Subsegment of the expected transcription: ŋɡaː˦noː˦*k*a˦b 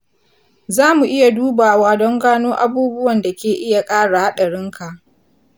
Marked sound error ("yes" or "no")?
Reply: yes